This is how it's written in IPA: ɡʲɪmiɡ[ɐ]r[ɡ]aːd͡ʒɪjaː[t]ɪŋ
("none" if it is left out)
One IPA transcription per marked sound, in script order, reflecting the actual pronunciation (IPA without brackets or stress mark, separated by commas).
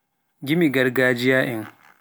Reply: ɐ, ɡ, ʔ